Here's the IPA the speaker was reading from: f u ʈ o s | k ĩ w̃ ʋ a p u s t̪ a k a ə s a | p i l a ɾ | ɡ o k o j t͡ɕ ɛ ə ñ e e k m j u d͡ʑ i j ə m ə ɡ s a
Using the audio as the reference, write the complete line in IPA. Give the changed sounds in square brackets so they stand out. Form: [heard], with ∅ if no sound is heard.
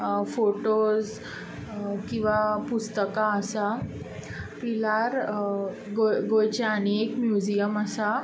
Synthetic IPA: f [o] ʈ o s | k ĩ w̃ ʋ a p u s t̪ [ə] k a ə s a | p i l a ɾ | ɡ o [ɡ] o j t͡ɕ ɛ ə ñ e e k m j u d͡ʑ i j ə m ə [∅] s a